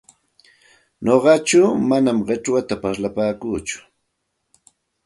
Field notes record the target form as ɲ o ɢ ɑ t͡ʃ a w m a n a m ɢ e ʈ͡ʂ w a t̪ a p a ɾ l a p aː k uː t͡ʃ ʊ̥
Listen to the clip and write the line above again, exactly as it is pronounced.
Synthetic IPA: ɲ o ɢ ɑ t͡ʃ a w m a n a m ɢ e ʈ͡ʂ w a t̪ a p a ɾ l a p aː k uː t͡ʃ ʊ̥